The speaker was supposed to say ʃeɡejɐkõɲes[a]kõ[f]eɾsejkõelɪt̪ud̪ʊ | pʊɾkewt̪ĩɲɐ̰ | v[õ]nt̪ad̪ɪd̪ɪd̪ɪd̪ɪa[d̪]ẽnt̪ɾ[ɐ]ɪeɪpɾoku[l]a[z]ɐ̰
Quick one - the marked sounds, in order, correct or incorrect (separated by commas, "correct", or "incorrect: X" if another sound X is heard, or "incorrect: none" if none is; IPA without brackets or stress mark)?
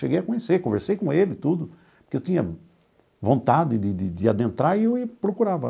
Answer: incorrect: e, incorrect: v, correct, correct, incorrect: a, incorrect: ɾ, incorrect: v